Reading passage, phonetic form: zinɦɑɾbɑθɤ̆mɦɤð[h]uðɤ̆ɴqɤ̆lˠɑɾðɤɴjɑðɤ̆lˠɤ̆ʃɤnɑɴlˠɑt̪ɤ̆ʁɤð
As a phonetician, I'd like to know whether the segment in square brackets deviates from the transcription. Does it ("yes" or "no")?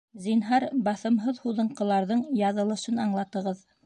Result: no